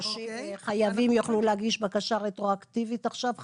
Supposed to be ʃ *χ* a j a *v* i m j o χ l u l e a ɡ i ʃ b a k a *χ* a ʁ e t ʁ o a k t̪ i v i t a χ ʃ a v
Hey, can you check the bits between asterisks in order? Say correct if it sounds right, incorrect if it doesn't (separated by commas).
correct, correct, incorrect